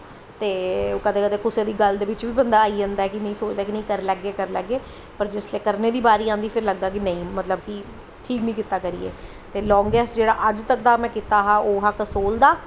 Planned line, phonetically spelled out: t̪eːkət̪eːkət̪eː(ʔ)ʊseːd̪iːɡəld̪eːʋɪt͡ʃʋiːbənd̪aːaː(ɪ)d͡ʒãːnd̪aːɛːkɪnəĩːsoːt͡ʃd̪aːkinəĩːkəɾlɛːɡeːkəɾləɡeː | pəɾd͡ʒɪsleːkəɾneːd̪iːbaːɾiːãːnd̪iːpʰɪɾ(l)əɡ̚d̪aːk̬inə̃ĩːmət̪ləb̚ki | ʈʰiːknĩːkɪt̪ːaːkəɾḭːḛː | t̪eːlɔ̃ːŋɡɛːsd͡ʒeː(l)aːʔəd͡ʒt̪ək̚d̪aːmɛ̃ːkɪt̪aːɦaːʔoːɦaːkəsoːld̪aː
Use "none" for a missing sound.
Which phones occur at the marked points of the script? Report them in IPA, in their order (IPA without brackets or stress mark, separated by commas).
k, i, l, ɽ